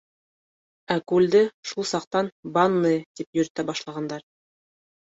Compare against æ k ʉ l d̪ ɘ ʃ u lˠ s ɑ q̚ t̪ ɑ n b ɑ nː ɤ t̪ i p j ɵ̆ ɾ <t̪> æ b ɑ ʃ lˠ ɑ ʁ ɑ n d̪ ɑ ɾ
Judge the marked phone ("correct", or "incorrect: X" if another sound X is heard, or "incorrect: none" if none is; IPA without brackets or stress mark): correct